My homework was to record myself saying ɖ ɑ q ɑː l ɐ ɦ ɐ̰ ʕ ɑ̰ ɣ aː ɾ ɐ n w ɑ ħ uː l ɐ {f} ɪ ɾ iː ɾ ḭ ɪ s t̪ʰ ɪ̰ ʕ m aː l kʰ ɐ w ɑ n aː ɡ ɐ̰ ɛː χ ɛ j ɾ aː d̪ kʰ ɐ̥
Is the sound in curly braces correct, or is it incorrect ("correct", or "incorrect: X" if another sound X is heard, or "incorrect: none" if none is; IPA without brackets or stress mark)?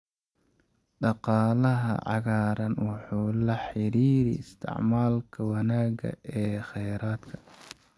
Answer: incorrect: ħ